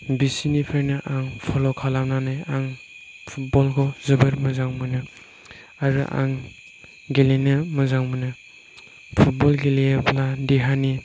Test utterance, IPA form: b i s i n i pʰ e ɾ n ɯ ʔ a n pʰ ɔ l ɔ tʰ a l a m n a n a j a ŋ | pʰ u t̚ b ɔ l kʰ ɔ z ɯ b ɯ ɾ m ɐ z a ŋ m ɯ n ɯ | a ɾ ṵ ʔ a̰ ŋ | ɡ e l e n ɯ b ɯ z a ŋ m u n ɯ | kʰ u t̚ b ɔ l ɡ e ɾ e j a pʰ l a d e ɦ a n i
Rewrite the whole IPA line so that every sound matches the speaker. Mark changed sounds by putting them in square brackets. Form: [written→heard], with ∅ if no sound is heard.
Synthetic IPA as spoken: b i s i n i pʰ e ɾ n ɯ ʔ a [n→ŋ] pʰ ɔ l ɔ [tʰ→kʰ] a l a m n a n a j a ŋ | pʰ u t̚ b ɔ l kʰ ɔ z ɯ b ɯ ɾ m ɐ z a ŋ m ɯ n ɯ | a ɾ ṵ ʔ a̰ ŋ | ɡ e l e n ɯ [b→m] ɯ z a ŋ m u n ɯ | [kʰ→pʰ] u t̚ b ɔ l ɡ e [ɾ→l] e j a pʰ l a d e ɦ a n i